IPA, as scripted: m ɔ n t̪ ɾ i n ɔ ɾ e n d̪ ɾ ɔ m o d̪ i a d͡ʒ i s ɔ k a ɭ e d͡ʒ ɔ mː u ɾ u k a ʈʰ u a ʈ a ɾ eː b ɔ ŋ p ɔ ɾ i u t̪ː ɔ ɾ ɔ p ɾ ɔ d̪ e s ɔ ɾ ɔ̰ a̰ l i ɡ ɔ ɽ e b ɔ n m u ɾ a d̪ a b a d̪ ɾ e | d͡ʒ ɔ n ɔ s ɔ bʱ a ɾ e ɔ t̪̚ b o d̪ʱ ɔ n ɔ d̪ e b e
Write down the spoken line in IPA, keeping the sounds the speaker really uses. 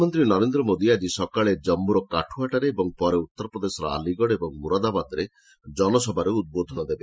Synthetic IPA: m ɔ n t̪ ɾ i n ɔ ɾ e n d̪ ɾ ɔ m o d̪ i a d͡ʒ i s ɔ k a ɭ e d͡ʒ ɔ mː u ɾ ɔ k a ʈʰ u a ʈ a ɾ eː b ɔ ŋ p ɔ ɾ e u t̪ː ɔ ɾ ɔ p ɾ ɔ d̪ e s ɔ ɾ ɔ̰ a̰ l i ɡ ɔ ɽ e b ɔ ŋ m u ɾ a d̪ a b a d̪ ɾ e | d͡ʒ ɔ n ɔ s ɔ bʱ a ɾ e u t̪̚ b o d̪ʱ ɔ n ɔ d̪ e b e